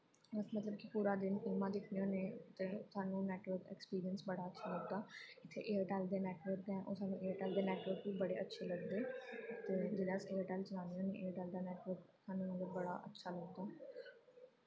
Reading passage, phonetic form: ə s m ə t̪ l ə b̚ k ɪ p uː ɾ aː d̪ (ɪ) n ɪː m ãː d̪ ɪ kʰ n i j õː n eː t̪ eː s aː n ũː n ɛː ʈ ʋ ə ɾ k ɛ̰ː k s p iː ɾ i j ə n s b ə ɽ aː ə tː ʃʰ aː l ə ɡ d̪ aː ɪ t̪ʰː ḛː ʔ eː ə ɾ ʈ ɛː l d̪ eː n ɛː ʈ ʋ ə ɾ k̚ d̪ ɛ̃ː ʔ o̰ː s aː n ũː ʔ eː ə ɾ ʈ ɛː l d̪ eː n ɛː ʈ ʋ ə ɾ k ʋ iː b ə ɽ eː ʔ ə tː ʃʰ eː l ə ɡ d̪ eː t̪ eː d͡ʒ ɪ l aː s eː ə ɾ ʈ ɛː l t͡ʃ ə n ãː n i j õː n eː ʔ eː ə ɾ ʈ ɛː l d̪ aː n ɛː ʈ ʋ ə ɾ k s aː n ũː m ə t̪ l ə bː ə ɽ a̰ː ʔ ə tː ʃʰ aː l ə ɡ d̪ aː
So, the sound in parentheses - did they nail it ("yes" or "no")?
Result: yes